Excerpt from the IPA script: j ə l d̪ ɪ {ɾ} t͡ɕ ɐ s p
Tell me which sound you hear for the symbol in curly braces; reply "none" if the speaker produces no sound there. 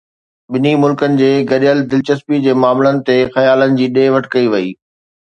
l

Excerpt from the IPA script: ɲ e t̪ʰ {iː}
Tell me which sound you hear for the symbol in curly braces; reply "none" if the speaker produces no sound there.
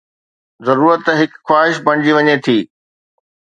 iː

